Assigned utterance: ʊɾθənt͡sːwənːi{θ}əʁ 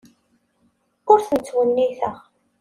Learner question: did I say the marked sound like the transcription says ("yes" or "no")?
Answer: yes